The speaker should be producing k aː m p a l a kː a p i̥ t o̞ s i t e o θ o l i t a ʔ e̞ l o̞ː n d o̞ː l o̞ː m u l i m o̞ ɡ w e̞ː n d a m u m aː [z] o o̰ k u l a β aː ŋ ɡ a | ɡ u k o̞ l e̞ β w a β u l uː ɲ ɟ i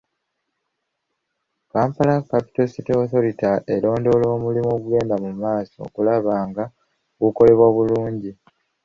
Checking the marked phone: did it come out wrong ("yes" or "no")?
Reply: yes